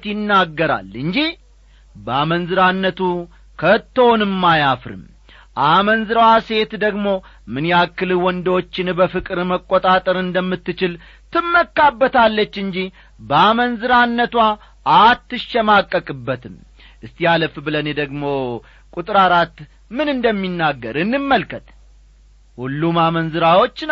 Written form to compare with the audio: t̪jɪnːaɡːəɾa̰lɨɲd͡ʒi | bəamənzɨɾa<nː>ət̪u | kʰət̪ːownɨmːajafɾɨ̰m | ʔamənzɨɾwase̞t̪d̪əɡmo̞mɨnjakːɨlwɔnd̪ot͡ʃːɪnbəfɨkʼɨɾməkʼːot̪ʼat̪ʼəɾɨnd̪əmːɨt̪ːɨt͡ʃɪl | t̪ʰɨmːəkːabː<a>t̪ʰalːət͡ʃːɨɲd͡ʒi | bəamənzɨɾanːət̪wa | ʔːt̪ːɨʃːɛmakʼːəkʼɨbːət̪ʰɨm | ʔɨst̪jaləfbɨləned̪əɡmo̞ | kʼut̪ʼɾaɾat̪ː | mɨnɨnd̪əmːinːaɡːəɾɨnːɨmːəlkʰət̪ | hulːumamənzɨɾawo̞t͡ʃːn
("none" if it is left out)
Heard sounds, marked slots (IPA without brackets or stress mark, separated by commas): nː, ə